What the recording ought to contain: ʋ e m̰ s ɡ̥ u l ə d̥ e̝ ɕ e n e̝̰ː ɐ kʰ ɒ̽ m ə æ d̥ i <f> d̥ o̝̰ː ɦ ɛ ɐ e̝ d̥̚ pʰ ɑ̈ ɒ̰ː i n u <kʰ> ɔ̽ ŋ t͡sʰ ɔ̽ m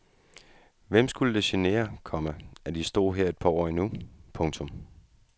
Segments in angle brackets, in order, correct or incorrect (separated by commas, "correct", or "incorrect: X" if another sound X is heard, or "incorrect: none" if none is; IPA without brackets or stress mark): incorrect: s, incorrect: pʰ